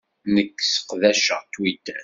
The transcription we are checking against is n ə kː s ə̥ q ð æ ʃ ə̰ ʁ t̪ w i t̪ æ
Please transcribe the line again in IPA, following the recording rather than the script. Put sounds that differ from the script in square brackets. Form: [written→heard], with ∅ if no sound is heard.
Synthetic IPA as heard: n ə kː s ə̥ q ð æ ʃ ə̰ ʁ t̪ w i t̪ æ